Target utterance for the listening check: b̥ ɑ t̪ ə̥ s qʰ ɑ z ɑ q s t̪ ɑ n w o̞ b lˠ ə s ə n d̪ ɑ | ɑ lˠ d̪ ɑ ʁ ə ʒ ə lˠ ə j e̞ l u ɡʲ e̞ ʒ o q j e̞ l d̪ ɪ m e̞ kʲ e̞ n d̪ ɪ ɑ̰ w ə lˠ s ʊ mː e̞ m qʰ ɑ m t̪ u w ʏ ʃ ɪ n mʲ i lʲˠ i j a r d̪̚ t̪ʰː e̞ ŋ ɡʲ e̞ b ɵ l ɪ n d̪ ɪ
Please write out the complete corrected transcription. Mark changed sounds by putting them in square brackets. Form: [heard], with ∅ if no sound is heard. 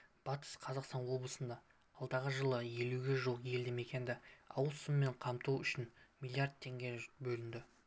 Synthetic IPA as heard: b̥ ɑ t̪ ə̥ s qʰ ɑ z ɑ q s t̪ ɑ n w o̞ b lˠ ə s ə n d̪ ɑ | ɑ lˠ d̪ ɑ ʁ ə ʒ ə lˠ ə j e̞ l u ɡʲ e̞ ʒ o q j e̞ l d̪ ɪ m e̞ kʲ e̞ n d̪ ɪ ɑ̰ w ə lˠ s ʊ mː e̞ [ɴ] qʰ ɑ m t̪ u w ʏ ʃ ɪ n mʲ i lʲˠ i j a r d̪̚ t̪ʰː e̞ ŋ ɡʲ e̞ b ɵ l ɪ n d̪ ɪ